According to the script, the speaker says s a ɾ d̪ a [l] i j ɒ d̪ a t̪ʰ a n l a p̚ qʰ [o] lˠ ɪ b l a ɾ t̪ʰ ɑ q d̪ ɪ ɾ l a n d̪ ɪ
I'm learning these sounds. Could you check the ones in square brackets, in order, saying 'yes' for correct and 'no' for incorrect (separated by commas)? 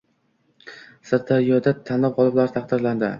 no, no